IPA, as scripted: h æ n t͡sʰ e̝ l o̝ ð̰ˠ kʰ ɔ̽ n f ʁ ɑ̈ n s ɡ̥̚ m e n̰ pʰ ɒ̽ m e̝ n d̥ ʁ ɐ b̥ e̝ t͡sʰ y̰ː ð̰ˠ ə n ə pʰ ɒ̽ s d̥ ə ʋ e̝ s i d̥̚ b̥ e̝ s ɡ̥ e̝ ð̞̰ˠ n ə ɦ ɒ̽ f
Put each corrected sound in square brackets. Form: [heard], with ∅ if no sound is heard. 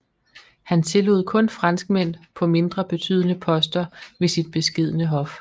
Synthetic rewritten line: h æ n t͡sʰ e̝ l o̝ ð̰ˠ kʰ ɔ̽ n f ʁ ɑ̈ n s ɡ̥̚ m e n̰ pʰ ɒ̽ m e̝ n d̥ ʁ ɐ b̥ e̝ t͡sʰ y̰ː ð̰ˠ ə n ə pʰ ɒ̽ s d̥ [ɐ] ʋ e̝ s i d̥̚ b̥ e̝ s ɡ̥ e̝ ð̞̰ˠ n ə ɦ ɒ̽ f